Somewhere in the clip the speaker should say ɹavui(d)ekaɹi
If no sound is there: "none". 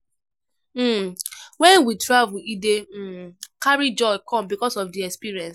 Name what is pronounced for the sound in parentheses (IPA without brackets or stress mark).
d